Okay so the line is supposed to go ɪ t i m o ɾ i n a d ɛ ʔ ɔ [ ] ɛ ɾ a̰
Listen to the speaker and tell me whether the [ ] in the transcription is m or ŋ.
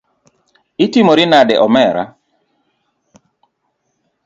m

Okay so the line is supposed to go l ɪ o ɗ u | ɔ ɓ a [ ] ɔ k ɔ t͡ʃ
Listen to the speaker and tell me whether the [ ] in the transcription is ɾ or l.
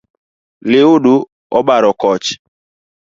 ɾ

